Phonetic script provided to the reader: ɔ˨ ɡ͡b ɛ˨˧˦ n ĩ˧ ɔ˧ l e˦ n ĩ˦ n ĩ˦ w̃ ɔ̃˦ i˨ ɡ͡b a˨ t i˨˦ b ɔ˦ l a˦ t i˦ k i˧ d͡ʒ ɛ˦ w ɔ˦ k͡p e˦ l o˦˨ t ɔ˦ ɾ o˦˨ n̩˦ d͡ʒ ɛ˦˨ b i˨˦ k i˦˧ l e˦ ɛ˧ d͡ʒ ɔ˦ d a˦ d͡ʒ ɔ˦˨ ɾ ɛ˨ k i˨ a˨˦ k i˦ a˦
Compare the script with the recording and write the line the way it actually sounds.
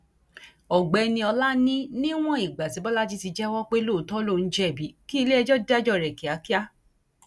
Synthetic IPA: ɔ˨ ɡ͡b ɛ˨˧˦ n ĩ˧ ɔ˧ l a˦ n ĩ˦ n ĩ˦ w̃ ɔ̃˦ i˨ ɡ͡b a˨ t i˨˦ b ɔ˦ l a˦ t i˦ t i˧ d͡ʒ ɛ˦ w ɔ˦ k͡p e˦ l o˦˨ t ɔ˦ l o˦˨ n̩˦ d͡ʒ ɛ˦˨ b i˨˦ k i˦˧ l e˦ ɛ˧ d͡ʒ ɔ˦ d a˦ d͡ʒ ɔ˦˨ ɾ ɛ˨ k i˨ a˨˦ k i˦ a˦